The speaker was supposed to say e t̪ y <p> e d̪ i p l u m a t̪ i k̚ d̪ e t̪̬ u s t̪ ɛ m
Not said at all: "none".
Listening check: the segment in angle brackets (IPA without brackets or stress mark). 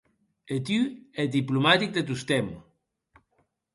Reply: none